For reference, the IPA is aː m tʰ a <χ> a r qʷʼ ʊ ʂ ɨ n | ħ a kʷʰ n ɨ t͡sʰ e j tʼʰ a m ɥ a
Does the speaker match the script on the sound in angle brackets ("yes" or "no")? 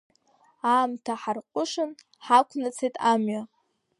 no